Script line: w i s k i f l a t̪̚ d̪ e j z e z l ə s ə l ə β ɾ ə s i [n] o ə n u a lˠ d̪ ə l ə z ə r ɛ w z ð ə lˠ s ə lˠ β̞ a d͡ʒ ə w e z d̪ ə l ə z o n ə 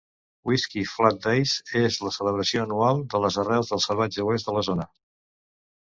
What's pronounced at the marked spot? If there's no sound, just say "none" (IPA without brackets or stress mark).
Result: none